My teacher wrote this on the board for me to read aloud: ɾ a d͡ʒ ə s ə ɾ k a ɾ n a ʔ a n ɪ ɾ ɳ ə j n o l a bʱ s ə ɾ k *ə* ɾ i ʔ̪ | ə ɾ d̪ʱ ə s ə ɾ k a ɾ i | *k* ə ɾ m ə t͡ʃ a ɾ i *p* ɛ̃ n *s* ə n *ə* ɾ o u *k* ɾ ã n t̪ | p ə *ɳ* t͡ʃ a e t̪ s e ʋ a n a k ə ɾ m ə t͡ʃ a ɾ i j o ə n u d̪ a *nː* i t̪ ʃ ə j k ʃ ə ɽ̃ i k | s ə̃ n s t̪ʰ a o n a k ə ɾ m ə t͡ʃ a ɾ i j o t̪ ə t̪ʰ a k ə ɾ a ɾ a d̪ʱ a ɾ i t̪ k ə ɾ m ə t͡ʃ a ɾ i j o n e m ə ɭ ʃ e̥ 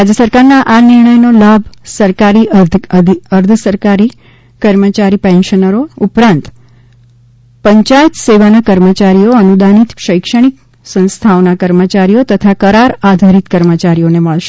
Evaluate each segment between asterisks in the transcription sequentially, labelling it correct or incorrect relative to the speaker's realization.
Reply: incorrect, correct, correct, incorrect, correct, incorrect, incorrect, incorrect

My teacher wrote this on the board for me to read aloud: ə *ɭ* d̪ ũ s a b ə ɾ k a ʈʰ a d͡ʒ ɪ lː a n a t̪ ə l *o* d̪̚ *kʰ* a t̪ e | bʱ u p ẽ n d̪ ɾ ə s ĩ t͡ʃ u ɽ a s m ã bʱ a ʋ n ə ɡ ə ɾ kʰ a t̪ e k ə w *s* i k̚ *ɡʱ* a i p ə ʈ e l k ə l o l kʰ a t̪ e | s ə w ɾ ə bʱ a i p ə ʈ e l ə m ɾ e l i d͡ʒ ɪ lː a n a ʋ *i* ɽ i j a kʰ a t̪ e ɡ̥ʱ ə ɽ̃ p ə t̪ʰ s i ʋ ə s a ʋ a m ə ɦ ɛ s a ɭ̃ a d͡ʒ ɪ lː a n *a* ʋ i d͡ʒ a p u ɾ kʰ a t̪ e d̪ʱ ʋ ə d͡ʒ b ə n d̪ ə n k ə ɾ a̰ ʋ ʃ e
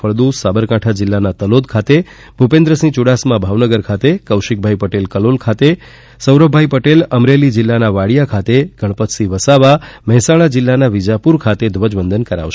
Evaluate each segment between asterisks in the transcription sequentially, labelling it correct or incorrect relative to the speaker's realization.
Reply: correct, correct, correct, incorrect, incorrect, incorrect, correct

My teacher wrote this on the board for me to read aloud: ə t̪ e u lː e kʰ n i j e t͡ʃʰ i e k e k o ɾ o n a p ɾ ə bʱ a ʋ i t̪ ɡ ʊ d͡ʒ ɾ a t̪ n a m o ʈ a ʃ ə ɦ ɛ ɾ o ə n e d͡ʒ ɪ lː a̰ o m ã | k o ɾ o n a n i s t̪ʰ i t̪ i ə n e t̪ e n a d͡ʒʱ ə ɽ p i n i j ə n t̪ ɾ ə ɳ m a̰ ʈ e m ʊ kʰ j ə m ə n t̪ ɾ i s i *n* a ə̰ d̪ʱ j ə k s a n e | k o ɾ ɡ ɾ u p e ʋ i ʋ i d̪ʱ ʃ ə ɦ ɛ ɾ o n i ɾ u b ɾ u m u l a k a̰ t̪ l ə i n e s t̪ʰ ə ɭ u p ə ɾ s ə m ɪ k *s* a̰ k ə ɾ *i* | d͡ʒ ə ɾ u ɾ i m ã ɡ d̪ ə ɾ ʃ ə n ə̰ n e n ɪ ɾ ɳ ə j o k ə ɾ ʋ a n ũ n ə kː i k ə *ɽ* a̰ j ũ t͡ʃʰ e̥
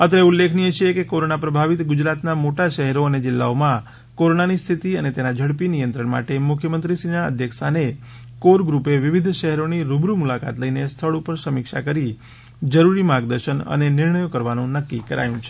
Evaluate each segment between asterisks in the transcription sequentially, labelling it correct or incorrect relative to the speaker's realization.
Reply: correct, incorrect, correct, incorrect

